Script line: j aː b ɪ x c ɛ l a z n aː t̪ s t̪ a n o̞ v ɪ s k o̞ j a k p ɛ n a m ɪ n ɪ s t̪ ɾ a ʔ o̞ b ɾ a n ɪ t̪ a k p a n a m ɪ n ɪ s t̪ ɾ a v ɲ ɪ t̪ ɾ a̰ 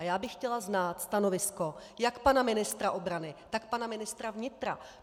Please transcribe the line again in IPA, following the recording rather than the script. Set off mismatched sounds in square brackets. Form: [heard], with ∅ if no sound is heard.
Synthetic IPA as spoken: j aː b ɪ x c ɛ l a z n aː t̪ s t̪ a n o̞ v ɪ s k o̞ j a k p [a] n a m ɪ n ɪ s t̪ ɾ a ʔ o̞ b ɾ a n ɪ t̪ a k p a n a m ɪ n ɪ s t̪ ɾ a v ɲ ɪ t̪ ɾ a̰

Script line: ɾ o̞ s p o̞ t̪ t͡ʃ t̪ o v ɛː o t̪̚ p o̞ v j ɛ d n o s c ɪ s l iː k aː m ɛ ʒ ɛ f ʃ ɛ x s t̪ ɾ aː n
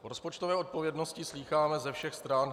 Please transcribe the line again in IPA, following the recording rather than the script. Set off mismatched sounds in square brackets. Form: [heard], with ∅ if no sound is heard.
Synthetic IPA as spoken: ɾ o̞ s p o̞ [∅] t͡ʃ t̪ o v ɛː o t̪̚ p o̞ v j ɛ d n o s c ɪ s l iː [x] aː m ɛ [z] ɛ f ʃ ɛ x s t̪ ɾ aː n

